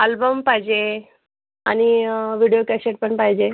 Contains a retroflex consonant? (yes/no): yes